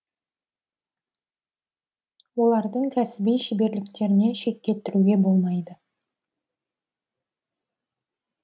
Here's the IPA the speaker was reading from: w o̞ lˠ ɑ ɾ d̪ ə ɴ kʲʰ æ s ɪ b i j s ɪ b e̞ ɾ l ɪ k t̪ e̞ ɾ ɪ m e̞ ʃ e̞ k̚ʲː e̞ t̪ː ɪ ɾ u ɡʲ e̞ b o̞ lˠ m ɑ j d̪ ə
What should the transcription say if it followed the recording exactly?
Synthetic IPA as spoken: w o̞ lˠ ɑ ɾ d̪ ə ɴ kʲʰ æ s ɪ b i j ʃ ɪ b e̞ ɾ l ɪ k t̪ e̞ ɾ ɪ n e̞ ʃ e̞ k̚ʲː e̞ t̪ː ɪ ɾ u ɡʲ e̞ b o̞ lˠ m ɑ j d̪ ə